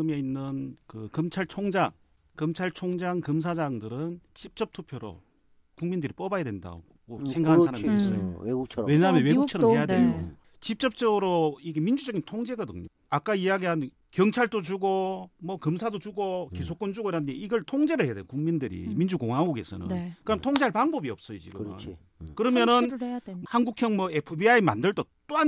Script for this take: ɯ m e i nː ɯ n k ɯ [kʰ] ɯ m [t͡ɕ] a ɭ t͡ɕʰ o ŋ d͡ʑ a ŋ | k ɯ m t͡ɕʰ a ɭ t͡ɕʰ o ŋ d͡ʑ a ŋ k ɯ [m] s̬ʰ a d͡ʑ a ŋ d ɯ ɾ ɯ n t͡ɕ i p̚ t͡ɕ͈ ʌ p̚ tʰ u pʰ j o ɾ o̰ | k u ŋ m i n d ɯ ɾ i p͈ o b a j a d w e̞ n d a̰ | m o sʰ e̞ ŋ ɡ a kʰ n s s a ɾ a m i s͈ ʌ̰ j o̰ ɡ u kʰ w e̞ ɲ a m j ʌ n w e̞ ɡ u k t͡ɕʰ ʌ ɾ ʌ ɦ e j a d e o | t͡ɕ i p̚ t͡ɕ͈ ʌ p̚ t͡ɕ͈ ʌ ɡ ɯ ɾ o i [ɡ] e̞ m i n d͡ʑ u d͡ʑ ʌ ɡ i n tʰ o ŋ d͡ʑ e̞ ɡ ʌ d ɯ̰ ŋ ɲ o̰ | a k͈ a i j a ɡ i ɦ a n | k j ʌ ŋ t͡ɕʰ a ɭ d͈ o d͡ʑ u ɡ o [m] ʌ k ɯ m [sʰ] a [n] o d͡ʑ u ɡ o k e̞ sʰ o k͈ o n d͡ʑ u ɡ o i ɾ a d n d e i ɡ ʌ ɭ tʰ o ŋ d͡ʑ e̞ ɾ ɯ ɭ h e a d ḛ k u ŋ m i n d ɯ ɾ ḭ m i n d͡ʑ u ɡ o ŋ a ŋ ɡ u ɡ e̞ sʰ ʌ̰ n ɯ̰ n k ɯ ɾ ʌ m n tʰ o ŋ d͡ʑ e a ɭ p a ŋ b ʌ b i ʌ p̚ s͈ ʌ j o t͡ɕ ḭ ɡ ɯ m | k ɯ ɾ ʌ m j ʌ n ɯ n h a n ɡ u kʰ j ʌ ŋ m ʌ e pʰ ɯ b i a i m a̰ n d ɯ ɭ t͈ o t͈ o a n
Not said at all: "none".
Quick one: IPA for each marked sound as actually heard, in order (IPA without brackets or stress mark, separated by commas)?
k, t͡ɕʰ, m, ɡ, m, sʰ, d